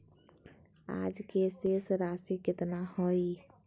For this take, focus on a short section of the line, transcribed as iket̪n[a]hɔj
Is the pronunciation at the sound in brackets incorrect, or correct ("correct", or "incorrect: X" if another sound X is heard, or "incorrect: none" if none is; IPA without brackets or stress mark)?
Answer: correct